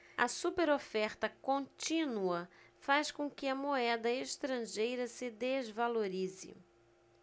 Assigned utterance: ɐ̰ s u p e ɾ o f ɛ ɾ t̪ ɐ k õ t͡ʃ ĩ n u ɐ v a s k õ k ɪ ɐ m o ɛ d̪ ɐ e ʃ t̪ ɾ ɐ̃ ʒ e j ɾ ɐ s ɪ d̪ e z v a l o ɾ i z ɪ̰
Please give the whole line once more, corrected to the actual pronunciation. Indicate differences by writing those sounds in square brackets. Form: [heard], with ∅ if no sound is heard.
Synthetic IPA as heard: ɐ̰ s u p e ɾ o f ɛ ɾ t̪ ɐ k õ t͡ʃ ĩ n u ɐ [f] a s k õ k ɪ ɐ m o ɛ d̪ ɐ e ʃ t̪ ɾ ɐ̃ ʒ e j ɾ ɐ s ɪ d̪ e z v a l o ɾ i z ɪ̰